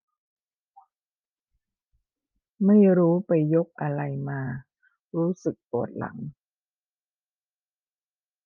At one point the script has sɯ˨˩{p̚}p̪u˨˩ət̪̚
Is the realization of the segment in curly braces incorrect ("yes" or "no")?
yes